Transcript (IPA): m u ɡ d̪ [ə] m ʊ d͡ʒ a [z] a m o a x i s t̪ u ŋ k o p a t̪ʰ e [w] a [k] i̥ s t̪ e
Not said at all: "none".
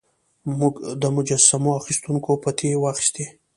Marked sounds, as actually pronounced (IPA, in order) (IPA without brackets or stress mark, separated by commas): ə, s, w, x